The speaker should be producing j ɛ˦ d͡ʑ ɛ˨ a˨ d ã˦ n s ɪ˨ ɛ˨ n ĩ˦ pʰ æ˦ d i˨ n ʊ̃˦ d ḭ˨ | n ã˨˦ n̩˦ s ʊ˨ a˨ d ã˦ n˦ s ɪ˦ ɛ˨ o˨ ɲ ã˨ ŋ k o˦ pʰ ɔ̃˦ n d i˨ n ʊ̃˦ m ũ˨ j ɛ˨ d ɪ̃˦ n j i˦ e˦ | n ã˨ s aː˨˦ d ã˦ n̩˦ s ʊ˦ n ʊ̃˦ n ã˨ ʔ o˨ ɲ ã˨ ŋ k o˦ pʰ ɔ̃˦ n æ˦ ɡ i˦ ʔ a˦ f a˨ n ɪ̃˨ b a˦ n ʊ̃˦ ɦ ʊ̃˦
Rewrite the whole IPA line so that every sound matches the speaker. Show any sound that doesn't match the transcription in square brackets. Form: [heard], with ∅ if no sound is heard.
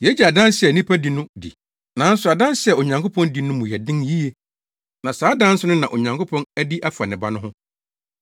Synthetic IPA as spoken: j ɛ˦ d͡ʑ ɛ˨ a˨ d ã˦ n s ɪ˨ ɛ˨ n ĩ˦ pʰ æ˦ d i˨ n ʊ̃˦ d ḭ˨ | n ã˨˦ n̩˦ s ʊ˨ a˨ d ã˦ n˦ s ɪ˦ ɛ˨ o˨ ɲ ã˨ ŋ k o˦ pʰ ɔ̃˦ n d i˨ n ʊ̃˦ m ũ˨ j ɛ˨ d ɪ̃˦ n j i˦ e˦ | n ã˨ s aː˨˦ d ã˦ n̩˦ s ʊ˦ n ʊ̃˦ n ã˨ ʔ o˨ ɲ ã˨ ŋ k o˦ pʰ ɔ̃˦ n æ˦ [d] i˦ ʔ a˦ f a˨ n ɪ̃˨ b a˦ n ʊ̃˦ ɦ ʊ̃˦

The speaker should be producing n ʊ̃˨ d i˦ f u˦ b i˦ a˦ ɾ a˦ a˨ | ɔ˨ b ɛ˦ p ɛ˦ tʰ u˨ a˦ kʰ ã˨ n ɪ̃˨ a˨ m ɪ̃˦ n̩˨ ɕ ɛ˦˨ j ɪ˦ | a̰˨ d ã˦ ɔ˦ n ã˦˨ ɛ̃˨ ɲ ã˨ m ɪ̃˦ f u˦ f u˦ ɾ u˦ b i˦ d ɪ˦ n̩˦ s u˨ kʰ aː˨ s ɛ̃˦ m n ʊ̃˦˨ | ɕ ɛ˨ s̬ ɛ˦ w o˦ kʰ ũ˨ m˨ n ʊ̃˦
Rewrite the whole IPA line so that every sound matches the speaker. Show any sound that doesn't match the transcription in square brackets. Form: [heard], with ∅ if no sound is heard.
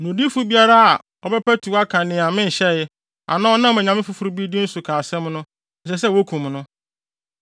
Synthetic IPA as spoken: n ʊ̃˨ d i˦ f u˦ b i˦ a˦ ɾ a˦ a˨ | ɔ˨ b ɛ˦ p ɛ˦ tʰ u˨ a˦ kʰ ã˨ n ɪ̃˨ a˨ m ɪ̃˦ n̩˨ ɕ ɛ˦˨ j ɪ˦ | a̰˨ [n] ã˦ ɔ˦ n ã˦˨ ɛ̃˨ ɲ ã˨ m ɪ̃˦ f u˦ f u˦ ɾ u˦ b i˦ d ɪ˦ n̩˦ s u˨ kʰ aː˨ s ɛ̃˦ m n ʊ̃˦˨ | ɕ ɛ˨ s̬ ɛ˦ w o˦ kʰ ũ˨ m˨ n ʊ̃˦

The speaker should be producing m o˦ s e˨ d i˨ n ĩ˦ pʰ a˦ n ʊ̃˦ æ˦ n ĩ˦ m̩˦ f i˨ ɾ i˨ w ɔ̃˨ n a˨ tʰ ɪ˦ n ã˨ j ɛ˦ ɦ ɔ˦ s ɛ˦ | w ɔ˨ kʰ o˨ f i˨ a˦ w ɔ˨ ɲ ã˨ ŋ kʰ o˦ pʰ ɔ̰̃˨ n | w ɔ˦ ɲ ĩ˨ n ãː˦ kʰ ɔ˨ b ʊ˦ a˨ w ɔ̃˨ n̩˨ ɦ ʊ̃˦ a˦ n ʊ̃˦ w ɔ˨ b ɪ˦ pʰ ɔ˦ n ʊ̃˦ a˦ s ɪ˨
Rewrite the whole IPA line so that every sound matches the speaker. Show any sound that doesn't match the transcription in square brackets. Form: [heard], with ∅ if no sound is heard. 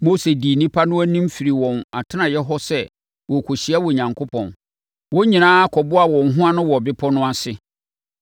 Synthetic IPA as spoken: m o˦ s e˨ d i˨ n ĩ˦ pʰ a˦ n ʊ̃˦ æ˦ n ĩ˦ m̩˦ f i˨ ɾ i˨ w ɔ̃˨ n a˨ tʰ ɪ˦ n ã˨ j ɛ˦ ɦ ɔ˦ s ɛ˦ | w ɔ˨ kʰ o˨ [ɕ] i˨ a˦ w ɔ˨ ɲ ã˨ ŋ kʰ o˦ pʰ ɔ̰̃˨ n | w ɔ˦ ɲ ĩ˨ n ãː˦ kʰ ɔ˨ b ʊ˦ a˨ w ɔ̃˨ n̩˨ ɦ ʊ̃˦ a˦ n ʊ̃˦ w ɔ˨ b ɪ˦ pʰ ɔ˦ n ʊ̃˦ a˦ s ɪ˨

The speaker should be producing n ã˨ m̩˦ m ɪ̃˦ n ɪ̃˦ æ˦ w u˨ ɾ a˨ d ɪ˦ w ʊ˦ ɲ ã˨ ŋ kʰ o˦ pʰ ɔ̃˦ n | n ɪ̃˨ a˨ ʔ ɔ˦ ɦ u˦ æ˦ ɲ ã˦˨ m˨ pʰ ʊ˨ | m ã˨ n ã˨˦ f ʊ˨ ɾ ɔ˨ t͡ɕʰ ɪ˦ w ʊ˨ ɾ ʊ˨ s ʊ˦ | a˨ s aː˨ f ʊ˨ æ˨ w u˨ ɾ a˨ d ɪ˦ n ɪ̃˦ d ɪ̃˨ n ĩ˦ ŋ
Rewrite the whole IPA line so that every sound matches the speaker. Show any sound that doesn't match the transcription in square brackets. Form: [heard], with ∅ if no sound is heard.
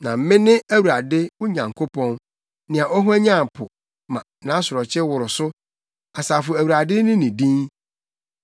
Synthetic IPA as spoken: n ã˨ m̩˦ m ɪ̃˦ n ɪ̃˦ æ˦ w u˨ ɾ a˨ d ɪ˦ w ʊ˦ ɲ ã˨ ŋ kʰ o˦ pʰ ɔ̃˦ n | n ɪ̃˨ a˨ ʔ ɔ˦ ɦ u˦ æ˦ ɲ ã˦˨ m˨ pʰ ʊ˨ | m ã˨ n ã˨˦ [s] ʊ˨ ɾ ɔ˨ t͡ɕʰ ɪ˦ w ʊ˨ ɾ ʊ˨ s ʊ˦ | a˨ s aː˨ f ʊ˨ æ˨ w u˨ ɾ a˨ d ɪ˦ n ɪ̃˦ [n] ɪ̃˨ [d] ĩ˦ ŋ

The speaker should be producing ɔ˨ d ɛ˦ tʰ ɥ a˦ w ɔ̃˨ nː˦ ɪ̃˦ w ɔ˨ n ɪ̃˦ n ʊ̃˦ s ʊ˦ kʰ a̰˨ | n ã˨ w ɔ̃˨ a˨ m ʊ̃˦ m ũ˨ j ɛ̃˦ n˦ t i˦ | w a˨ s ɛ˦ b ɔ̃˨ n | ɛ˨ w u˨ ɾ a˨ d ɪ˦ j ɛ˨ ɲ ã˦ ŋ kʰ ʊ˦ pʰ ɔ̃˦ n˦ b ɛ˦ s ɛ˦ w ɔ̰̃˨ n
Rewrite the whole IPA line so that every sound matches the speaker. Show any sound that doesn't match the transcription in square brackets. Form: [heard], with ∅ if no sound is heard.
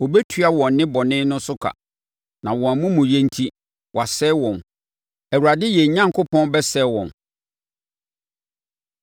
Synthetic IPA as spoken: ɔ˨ [b] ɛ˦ tʰ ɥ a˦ w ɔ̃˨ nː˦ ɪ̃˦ [b] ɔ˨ n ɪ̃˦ n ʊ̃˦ s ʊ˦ kʰ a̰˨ | n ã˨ w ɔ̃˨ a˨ m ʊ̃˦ m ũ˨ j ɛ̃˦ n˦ [tʰ] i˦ | w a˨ s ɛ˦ [w] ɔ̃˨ n | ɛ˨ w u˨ ɾ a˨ d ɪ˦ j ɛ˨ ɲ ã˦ ŋ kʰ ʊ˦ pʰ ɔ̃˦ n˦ b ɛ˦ s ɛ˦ w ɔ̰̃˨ n

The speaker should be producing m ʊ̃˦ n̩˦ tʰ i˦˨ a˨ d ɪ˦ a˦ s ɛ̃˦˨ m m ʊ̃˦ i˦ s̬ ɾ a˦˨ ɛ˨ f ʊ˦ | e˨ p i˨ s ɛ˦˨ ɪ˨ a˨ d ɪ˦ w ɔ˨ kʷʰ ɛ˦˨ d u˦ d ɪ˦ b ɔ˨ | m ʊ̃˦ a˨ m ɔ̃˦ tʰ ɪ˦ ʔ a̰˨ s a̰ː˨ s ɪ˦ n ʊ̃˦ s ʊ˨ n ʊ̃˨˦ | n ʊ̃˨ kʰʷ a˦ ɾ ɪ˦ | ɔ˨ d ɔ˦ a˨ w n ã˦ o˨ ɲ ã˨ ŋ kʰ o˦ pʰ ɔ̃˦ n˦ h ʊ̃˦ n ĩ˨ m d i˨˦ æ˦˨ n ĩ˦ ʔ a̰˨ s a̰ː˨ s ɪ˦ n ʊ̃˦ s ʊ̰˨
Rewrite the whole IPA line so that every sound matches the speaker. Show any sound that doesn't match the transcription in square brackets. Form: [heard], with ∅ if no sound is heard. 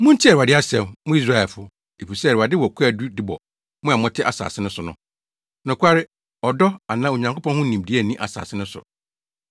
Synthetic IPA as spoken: m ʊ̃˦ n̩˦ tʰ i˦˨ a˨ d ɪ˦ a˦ s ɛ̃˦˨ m m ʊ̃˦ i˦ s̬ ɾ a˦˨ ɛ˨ f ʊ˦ | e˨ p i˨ s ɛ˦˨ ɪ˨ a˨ d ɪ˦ w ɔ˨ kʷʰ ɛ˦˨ d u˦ d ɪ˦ b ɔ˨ | m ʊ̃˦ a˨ m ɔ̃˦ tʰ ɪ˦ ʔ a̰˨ s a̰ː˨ s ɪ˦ n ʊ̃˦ s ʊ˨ n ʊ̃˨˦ | n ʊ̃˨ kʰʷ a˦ ɾ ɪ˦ | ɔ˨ d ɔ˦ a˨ [∅] n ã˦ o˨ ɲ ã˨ ŋ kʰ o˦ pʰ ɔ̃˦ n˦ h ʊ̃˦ n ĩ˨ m d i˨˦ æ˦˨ n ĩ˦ ʔ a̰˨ s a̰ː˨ s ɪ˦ n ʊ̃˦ s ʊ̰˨

